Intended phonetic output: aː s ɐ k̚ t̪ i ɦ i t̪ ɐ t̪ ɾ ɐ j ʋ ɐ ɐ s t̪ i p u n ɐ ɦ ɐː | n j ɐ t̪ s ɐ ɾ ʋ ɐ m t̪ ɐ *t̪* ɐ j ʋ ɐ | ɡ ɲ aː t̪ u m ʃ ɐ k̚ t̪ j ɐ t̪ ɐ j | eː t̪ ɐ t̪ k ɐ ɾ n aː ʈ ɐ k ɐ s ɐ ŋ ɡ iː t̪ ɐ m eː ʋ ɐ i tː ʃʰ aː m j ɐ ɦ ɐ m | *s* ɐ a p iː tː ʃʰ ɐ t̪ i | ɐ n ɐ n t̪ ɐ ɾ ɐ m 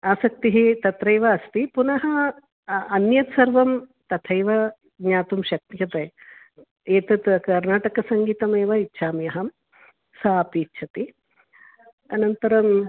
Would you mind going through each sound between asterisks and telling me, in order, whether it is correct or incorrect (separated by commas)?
incorrect, correct